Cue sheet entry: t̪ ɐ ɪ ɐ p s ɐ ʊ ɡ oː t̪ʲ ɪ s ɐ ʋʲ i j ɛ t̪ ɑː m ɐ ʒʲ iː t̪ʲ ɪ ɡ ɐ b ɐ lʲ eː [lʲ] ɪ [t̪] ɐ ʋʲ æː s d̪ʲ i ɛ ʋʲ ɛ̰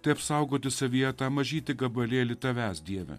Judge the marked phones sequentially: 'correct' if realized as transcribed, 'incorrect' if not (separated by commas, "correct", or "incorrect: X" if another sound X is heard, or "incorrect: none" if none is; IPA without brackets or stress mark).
correct, correct